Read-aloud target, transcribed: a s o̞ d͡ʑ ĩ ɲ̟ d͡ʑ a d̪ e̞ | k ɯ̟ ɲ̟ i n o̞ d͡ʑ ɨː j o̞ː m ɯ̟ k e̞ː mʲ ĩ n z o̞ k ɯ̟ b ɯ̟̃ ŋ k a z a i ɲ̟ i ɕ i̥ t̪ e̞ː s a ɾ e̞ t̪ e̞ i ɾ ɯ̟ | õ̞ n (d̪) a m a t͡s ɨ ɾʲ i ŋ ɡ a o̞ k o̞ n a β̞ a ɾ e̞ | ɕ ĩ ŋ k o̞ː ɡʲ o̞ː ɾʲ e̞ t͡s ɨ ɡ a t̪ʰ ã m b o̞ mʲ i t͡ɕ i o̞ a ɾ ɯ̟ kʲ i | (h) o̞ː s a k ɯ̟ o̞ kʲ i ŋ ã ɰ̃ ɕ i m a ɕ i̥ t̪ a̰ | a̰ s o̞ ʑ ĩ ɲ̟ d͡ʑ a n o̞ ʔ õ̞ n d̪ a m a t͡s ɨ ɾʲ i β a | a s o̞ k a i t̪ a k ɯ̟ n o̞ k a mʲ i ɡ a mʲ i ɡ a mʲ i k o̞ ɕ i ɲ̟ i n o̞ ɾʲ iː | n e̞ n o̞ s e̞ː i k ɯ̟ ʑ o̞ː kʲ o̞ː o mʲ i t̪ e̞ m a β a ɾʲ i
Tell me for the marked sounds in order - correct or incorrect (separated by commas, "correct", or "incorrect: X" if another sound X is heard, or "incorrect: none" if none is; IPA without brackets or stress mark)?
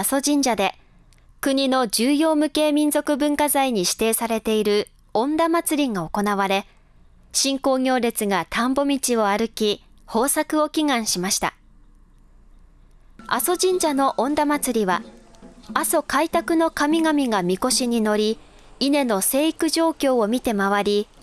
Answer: correct, correct